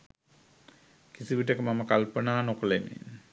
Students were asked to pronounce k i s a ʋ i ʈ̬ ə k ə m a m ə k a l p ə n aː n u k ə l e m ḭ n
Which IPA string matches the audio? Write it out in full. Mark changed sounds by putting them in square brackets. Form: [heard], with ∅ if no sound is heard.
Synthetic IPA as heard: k i s [i] ʋ i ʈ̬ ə k ə m a m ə k a l p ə n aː n [o] k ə l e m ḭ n